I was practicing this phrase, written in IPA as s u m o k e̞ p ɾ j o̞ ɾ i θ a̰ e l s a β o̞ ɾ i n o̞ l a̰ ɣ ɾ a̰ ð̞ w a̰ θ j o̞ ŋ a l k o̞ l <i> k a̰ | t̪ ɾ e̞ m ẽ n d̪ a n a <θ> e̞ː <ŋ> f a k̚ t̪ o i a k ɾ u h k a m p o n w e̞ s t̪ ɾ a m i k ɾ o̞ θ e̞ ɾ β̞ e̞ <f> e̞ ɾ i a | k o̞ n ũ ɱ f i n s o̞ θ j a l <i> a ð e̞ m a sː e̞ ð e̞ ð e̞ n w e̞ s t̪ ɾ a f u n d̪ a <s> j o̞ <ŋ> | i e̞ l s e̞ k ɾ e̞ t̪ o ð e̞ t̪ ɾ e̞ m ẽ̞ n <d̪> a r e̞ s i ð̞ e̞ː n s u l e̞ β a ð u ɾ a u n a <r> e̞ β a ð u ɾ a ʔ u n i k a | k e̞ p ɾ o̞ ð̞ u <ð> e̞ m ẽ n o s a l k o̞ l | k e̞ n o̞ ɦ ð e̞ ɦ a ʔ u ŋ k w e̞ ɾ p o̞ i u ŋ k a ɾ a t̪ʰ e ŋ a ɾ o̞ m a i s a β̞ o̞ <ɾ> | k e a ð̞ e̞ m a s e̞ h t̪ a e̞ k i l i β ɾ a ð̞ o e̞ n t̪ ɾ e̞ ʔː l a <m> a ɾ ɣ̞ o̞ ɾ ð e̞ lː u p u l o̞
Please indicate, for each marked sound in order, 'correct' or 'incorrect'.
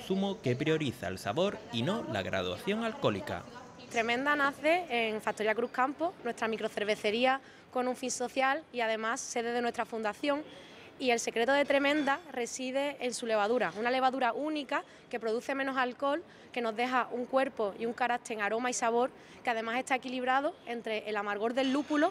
correct, correct, correct, incorrect, correct, incorrect, correct, correct, incorrect, incorrect, correct, correct

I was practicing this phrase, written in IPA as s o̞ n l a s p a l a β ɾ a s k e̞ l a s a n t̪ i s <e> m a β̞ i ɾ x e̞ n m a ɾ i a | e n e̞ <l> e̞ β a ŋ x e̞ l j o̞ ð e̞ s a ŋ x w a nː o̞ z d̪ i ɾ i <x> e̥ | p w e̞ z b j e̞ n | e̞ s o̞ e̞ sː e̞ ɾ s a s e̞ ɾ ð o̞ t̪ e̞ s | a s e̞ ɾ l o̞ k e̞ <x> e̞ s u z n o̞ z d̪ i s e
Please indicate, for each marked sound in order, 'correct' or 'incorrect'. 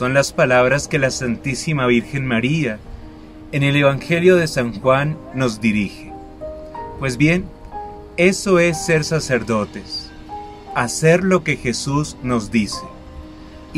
incorrect, correct, correct, correct

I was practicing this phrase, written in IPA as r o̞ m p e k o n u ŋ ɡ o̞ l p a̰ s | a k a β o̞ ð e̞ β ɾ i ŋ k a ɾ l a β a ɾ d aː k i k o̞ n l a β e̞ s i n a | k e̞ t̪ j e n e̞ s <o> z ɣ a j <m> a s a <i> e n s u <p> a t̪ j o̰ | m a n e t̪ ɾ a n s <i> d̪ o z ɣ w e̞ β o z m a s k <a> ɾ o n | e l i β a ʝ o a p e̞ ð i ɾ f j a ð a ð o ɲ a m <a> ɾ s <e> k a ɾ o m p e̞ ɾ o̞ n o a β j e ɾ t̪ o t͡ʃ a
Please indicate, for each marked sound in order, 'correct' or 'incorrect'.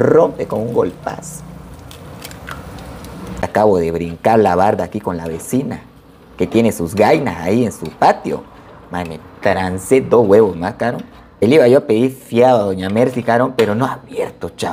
incorrect, incorrect, correct, correct, incorrect, correct, incorrect, incorrect

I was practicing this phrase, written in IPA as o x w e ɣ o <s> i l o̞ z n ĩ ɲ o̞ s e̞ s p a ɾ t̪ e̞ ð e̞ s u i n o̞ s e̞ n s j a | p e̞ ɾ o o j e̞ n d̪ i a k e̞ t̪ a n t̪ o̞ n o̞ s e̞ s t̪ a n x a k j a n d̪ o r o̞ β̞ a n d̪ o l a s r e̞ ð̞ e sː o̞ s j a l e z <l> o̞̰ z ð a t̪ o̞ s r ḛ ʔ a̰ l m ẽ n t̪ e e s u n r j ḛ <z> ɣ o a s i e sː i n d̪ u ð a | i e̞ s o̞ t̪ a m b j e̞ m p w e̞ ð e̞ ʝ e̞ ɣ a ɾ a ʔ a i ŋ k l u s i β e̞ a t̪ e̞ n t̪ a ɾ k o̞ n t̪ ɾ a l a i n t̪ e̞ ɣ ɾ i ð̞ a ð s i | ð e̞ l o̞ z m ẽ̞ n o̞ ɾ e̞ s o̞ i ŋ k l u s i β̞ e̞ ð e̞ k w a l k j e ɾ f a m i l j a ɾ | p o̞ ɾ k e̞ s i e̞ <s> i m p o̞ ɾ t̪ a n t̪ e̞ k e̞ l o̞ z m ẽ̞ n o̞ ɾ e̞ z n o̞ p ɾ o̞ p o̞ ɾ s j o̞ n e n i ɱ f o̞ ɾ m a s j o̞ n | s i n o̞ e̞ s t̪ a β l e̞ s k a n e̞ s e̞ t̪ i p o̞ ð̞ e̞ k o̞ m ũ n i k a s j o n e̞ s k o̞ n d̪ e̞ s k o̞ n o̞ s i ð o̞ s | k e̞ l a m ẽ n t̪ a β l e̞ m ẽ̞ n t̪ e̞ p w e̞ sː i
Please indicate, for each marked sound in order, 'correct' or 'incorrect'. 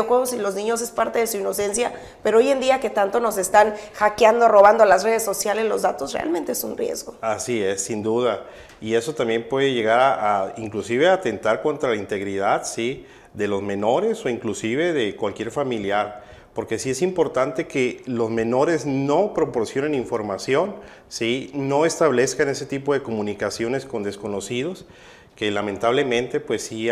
correct, correct, correct, correct

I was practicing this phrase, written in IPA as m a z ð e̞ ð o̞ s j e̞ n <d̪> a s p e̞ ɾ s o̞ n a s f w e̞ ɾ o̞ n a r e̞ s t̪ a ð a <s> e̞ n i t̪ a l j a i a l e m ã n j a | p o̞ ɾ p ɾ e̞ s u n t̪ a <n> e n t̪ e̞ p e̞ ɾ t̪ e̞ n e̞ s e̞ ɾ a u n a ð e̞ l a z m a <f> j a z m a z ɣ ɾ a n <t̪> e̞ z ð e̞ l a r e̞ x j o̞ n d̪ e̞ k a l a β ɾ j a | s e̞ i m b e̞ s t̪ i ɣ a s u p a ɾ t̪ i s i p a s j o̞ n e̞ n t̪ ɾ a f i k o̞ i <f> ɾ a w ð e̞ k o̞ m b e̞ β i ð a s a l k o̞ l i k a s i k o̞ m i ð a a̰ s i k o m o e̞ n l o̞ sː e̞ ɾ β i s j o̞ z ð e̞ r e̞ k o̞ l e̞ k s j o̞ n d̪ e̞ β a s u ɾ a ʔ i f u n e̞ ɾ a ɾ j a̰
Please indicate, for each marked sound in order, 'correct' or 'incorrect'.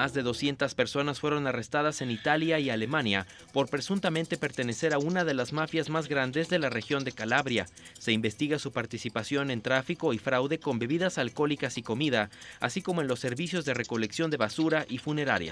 incorrect, correct, incorrect, correct, incorrect, correct

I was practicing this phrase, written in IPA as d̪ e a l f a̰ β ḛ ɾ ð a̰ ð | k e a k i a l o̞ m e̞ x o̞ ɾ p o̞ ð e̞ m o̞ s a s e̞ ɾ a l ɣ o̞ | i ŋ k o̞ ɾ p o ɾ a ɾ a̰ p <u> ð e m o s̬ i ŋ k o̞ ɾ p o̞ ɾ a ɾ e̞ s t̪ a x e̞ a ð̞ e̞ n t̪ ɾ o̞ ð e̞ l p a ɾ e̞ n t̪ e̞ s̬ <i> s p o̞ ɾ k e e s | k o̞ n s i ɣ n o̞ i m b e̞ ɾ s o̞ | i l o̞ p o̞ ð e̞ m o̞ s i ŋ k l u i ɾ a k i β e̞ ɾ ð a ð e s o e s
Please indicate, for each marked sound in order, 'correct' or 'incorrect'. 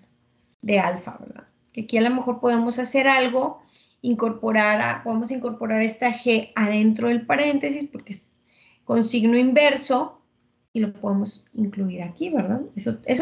incorrect, correct

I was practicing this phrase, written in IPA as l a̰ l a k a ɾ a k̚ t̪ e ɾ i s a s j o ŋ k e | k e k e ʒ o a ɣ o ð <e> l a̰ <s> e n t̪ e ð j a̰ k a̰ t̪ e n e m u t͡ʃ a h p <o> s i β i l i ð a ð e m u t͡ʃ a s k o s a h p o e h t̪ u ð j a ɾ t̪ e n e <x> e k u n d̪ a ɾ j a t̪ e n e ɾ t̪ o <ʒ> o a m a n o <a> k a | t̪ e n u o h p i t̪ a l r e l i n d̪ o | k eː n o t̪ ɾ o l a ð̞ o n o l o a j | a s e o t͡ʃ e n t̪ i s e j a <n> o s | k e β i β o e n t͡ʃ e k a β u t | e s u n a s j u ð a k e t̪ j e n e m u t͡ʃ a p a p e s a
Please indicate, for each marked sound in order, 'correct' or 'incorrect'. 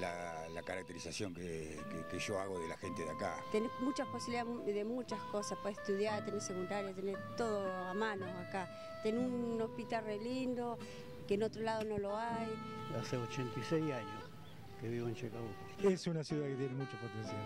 correct, incorrect, correct, incorrect, incorrect, correct, incorrect

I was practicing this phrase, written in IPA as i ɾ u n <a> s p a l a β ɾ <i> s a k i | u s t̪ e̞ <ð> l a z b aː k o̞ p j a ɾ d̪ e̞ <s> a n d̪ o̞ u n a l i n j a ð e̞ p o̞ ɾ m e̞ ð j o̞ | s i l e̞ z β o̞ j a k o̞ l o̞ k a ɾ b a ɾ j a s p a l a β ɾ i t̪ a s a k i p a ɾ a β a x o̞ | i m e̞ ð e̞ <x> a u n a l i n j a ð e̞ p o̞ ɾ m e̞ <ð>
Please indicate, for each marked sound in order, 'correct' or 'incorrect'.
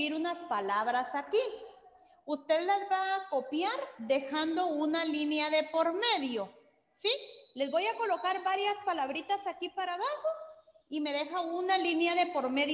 correct, incorrect, correct, incorrect, correct, correct

